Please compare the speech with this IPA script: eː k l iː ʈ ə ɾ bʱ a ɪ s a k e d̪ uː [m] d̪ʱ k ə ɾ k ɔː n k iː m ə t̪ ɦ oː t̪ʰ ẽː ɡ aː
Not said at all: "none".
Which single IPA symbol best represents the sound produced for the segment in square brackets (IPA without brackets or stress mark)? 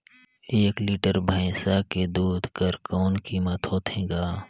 none